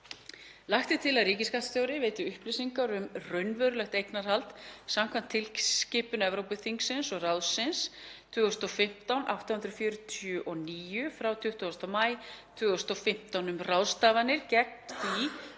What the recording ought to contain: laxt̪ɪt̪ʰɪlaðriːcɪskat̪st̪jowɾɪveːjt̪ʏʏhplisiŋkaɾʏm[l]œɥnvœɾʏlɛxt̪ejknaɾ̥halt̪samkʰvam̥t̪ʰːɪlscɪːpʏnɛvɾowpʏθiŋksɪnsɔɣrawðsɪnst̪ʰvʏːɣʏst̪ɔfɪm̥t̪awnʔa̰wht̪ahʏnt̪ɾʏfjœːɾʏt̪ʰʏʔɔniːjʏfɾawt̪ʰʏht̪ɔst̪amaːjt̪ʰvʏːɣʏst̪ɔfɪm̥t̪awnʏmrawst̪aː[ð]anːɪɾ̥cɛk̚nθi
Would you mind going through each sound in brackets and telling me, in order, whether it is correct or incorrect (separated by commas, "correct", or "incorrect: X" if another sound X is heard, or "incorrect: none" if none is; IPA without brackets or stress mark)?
incorrect: r, incorrect: v